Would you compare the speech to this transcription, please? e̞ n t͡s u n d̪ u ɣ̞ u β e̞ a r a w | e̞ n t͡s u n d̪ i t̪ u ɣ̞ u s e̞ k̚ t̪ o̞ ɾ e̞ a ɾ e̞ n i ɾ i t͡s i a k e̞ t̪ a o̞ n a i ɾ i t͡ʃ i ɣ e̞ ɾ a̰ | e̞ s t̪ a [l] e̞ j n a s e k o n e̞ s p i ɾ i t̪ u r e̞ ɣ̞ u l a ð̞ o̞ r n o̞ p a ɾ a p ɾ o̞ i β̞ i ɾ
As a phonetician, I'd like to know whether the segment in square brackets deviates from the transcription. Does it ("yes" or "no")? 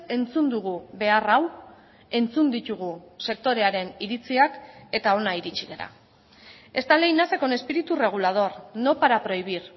no